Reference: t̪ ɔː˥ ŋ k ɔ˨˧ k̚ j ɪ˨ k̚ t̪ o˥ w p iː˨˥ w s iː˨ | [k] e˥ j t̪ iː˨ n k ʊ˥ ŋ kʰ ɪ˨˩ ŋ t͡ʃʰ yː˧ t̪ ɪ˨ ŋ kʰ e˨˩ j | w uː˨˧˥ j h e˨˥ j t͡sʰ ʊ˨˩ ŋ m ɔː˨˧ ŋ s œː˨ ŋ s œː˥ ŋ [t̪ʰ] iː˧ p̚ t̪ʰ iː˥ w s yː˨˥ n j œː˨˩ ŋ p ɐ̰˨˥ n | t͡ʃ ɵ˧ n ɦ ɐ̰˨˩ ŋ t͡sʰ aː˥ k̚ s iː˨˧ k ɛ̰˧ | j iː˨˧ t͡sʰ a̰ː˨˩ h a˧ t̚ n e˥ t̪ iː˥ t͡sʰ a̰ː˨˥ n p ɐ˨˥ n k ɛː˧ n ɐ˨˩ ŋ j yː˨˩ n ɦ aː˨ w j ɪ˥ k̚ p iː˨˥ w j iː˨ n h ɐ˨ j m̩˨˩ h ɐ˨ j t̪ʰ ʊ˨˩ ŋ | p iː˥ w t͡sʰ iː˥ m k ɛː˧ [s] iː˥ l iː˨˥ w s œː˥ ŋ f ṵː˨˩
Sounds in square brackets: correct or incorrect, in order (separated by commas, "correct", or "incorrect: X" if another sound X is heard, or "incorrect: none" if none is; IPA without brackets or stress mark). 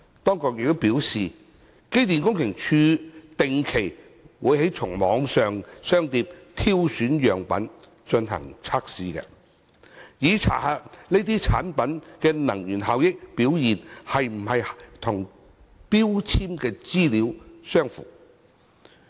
correct, incorrect: t̪, incorrect: t͡s